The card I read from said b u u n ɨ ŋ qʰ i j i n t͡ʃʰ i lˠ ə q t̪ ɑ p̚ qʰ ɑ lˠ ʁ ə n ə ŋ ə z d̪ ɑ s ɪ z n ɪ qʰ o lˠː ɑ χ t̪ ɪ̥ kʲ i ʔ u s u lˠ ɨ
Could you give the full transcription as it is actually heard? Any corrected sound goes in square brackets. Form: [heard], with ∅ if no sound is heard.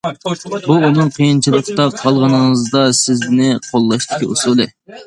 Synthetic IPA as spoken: b u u n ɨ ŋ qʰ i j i n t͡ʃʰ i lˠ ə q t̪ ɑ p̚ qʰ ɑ lˠ ʁ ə n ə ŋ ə z d̪ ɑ s ɪ z n ɪ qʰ o lˠː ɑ [ʃ] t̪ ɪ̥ kʲ i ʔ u s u lˠ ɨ